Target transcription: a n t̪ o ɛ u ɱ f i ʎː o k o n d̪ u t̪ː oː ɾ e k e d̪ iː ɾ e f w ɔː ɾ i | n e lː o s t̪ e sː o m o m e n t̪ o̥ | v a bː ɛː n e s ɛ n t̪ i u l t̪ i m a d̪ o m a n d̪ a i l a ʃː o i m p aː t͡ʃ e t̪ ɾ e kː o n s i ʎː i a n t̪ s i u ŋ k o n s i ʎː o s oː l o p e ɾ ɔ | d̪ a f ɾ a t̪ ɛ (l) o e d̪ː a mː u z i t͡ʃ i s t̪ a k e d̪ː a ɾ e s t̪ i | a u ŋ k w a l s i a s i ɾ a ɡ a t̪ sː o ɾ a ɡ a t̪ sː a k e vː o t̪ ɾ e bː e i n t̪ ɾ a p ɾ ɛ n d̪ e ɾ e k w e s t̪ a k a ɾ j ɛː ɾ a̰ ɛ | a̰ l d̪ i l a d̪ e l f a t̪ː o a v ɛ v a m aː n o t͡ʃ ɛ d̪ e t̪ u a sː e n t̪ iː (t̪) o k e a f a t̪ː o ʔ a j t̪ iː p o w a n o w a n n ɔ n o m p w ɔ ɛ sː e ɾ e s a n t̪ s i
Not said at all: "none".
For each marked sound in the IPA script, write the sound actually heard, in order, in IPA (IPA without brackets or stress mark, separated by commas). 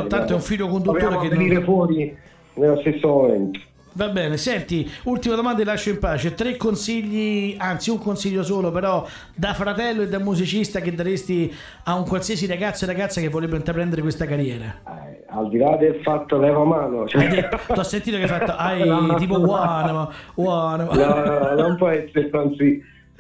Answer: lː, t̪